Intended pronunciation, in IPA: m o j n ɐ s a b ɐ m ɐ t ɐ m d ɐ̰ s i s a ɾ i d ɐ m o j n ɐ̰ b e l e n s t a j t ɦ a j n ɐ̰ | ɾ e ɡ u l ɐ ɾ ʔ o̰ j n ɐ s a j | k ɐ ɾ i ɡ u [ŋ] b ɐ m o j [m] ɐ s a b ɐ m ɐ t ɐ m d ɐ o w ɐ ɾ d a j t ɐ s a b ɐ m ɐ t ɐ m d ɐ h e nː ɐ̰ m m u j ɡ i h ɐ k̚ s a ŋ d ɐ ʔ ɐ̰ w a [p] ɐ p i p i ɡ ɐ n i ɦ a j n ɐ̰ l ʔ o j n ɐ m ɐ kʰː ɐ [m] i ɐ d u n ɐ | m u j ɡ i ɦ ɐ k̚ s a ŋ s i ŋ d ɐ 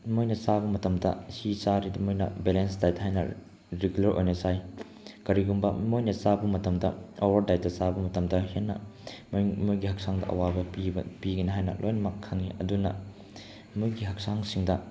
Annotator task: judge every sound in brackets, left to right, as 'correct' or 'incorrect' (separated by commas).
incorrect, incorrect, incorrect, incorrect